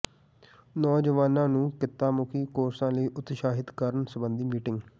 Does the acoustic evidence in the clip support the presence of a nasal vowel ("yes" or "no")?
yes